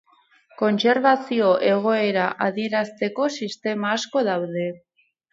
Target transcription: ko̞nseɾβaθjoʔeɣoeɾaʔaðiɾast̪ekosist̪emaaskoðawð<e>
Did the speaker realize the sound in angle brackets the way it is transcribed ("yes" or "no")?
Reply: yes